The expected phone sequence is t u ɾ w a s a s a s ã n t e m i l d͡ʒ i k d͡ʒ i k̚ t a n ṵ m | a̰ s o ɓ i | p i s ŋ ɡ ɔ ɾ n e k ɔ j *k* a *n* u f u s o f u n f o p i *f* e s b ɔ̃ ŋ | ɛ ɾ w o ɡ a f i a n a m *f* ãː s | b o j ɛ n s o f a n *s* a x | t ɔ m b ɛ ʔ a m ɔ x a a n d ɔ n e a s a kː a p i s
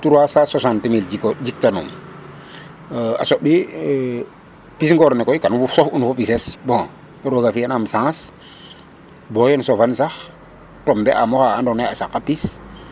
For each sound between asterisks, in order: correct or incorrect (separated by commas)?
correct, correct, incorrect, incorrect, correct